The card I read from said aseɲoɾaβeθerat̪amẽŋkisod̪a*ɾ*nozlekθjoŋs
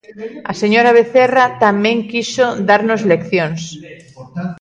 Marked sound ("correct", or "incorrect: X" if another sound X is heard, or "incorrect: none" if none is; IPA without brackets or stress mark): correct